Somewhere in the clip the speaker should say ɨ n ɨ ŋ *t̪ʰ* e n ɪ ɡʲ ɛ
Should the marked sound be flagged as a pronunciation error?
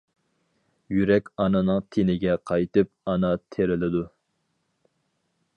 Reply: no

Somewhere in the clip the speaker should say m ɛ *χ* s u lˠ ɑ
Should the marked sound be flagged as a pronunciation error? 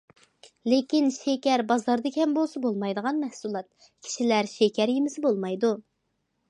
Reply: yes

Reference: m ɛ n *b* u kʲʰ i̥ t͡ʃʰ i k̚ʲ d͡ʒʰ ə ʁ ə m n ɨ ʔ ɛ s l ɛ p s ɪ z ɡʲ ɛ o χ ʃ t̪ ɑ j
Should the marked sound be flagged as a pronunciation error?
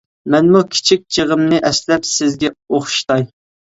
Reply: yes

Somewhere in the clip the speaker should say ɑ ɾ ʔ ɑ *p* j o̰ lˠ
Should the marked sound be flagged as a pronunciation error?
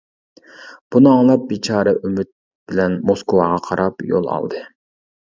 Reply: no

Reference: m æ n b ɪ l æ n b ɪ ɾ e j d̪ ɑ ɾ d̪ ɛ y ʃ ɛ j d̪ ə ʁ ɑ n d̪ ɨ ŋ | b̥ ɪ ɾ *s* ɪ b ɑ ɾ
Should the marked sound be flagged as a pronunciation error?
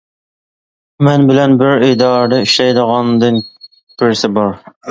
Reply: no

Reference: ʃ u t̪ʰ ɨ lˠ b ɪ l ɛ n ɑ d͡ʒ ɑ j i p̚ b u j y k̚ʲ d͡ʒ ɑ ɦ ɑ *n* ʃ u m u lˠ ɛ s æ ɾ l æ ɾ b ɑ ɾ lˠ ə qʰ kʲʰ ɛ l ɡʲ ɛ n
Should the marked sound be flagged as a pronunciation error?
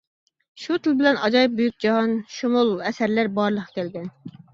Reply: no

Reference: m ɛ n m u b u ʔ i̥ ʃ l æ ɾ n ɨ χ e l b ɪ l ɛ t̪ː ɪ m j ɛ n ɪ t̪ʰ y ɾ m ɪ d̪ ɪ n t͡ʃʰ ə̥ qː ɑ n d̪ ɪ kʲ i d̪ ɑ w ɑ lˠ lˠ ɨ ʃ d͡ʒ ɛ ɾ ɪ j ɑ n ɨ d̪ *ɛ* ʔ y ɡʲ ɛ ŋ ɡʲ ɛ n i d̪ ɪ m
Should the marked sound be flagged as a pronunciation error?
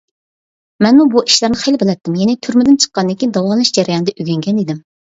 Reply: no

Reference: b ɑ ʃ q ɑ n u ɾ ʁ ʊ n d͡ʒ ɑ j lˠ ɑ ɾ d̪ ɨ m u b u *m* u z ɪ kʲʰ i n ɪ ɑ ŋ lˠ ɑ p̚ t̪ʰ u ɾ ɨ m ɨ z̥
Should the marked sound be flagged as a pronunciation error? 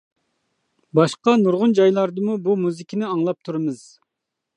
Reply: no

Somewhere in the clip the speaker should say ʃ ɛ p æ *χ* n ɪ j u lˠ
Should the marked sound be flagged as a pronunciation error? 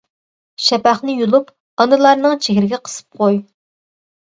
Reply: no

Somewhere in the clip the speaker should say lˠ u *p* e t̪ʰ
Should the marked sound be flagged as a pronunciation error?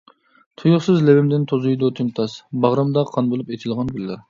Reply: no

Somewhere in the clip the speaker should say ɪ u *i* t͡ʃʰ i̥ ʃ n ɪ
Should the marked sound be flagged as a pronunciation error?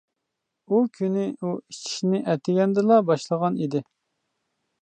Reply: no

